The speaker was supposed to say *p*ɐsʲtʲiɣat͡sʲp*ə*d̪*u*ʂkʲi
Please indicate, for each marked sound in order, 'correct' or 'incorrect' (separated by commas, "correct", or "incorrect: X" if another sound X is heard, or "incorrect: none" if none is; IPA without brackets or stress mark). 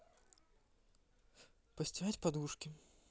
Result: correct, incorrect: a, correct